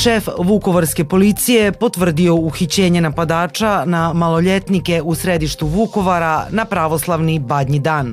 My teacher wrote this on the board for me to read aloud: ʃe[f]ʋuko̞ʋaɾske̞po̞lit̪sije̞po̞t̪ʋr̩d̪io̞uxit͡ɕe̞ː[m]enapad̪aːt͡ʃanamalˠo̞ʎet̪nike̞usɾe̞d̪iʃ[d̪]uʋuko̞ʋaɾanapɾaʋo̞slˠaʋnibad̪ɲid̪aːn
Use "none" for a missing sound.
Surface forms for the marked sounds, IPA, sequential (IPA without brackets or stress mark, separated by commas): f, ɲ, t̪